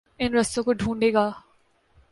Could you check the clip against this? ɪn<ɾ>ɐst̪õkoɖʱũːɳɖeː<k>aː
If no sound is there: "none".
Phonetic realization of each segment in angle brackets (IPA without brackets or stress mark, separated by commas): ɾ, ɡ